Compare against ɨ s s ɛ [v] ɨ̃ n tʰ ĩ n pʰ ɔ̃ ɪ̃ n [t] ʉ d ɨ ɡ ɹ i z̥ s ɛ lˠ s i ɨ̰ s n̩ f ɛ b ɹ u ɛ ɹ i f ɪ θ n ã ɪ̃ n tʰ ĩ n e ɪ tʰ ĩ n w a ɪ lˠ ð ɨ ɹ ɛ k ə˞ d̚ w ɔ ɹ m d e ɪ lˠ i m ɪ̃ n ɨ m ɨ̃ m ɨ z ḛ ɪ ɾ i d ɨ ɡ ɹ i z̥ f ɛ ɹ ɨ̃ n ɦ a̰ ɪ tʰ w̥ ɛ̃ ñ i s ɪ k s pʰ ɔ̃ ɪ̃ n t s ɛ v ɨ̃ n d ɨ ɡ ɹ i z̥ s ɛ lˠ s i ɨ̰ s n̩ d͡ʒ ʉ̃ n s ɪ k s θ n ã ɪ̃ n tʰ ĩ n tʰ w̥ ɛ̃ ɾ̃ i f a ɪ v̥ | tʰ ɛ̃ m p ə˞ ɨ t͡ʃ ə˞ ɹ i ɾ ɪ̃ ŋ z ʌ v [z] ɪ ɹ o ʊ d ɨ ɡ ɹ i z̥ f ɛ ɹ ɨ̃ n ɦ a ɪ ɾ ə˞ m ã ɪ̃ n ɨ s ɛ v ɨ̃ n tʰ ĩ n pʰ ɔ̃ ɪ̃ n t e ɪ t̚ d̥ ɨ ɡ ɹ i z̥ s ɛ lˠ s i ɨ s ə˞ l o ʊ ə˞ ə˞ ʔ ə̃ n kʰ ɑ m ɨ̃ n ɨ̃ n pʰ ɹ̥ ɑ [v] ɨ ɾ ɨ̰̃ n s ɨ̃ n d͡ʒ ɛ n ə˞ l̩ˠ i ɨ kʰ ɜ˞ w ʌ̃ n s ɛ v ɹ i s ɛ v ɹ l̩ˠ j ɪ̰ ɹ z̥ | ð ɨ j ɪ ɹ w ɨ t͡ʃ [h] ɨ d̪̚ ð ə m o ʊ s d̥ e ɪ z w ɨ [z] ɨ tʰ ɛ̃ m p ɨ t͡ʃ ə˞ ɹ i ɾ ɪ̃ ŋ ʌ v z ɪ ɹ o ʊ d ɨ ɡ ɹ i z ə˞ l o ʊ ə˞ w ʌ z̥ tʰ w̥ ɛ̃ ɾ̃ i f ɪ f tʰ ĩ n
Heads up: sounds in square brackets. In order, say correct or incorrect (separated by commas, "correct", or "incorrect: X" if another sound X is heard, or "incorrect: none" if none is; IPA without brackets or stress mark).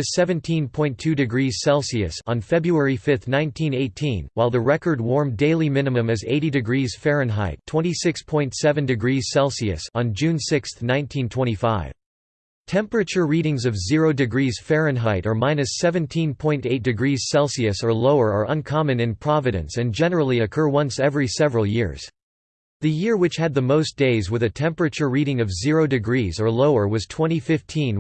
correct, incorrect: tʰ, correct, correct, correct, incorrect: ð